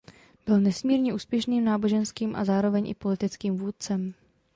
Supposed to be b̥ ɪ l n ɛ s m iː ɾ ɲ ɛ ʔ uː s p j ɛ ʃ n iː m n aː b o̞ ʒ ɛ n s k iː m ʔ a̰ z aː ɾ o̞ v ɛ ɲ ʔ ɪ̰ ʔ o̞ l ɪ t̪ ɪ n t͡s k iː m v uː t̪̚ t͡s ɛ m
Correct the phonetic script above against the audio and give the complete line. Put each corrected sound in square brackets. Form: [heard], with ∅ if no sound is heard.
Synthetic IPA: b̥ ɪ l n ɛ s m iː ɾ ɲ ɛ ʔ uː s p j ɛ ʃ n iː m n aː b o̞ ʒ ɛ n s k iː m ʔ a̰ z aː ɾ o̞ v ɛ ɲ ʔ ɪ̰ [p] o̞ l ɪ t̪ ɪ [∅] t͡s k iː m v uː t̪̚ t͡s ɛ m